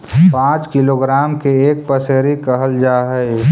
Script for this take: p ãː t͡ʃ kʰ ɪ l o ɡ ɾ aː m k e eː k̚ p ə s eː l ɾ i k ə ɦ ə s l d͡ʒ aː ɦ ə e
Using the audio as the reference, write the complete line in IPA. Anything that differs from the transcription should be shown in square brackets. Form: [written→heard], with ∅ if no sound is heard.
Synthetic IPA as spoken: p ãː t͡ʃ [kʰ→k] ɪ l o ɡ ɾ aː m k e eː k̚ p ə s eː [l→∅] ɾ i k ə ɦ ə [s→∅] l d͡ʒ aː ɦ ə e